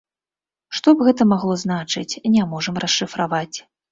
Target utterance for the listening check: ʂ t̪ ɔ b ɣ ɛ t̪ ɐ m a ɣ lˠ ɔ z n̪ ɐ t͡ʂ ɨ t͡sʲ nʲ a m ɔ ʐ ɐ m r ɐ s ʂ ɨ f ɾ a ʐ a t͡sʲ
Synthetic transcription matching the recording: ʂ t̪ ɔ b ɣ ɛ t̪ ɐ m a ɣ lˠ ɔ z n̪ a t͡ʂ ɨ t͡sʲ nʲ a m ɔ ʐ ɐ m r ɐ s ʂ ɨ f ɾ a v a t͡sʲ

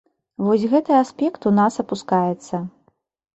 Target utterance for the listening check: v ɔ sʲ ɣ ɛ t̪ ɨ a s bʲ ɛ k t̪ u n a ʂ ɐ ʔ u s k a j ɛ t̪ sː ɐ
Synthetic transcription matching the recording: v ɔ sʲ ɣ ɛ t̪ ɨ a s pʲ ɛ k t̪ u n a s ɐ p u s k a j ɛ t̪ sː ɐ

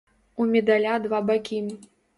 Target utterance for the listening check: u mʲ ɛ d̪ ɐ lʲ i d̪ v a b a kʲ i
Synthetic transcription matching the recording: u mʲ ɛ d̪ a lʲ a d̪ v a b a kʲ i

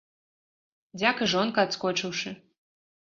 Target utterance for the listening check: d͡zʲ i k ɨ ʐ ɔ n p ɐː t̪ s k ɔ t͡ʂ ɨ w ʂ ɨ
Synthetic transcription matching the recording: d͡zʲ a k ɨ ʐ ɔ n k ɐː t̪ s k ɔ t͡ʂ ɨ w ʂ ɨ

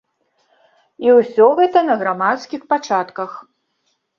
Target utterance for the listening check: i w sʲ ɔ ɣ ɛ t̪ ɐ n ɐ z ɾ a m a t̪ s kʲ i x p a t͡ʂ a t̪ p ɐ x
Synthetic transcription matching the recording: i w sʲ ɔ ɣ ɛ t̪ ɐ n ɐ ɣ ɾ a m a t̪ s kʲ i x p a t͡ʂ a t̪ k ɐ x

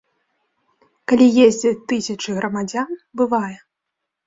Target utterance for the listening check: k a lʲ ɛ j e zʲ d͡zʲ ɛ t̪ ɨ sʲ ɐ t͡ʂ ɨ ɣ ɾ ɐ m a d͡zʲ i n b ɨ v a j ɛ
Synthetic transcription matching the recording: k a lʲ i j e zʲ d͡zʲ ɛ t̪ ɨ sʲ ɐ t͡ʂ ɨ ɣ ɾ ɐ m a d͡zʲ a n b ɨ v a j ɛ

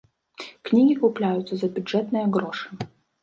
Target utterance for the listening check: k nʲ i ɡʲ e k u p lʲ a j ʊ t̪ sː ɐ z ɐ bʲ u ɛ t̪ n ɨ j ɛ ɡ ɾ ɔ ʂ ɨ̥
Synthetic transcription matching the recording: k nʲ i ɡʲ i k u p lʲ a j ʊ t̪ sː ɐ z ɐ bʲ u ɛ t̪ n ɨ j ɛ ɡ ɾ ɔ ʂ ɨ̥

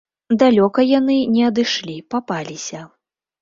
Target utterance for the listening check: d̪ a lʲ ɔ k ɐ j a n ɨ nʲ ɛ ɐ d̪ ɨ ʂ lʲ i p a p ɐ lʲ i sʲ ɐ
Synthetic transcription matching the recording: d̪ a lʲ ɔ k ɐ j a n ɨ nʲ ɛ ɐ d̪ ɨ ʂ lʲ i p a p a lʲ i sʲ ɐ

